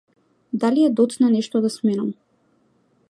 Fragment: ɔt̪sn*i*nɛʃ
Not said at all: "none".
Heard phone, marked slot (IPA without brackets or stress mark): a